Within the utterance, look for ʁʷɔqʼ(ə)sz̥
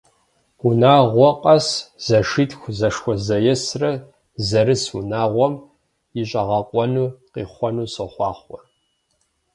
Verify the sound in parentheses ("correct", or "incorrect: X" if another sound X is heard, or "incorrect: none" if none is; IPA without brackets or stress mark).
incorrect: ɐ